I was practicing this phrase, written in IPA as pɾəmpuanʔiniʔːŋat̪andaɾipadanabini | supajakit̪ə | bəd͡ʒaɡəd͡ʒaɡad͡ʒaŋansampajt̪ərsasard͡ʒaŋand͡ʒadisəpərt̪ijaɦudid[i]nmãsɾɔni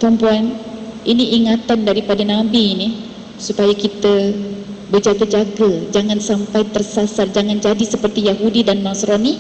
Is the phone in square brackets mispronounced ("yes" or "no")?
yes